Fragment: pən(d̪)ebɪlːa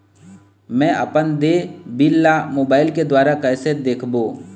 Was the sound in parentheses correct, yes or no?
yes